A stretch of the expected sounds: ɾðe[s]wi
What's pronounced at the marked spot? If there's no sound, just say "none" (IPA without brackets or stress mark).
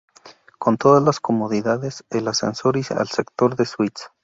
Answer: s